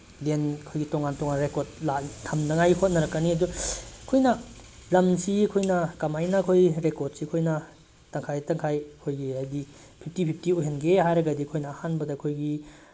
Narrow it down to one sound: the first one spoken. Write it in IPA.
l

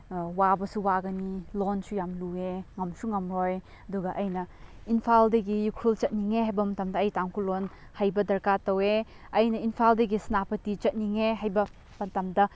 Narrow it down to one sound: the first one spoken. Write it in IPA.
w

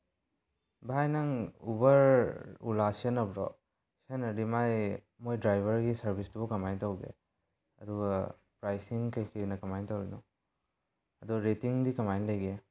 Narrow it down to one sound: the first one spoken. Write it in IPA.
b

